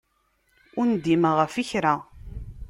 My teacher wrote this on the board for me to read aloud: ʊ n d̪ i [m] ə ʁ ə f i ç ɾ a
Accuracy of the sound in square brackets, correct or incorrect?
correct